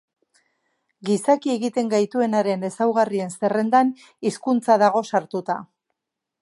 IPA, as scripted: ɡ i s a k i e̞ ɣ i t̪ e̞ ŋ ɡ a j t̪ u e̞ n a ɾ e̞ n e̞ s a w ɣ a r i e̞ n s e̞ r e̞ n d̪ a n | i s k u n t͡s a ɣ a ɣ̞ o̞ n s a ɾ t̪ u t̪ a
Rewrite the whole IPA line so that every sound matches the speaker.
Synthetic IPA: ɡ i s a k i e̞ ɣ i t̪ e̞ ŋ ɡ a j t̪ u e̞ n a ɾ e̞ n e̞ s a w ɣ a r i e̞ n s e̞ r e̞ n d̪ a n | i s k u n t͡s a ð a ɣ̞ o̞ s a ɾ t̪ u t̪ a